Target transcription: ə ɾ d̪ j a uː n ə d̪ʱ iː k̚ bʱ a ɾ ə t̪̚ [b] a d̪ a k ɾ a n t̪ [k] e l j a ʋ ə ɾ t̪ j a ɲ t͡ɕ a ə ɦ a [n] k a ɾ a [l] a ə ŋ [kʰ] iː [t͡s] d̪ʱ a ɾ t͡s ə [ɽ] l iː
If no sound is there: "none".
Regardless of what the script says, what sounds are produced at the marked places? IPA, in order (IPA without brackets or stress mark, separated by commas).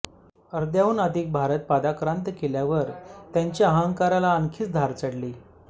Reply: p, k, ŋ, l, kʰ, t͡s, ɽ